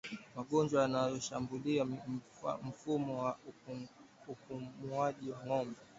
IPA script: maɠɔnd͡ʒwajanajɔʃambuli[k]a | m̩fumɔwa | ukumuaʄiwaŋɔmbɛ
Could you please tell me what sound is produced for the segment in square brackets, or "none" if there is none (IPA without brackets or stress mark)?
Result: none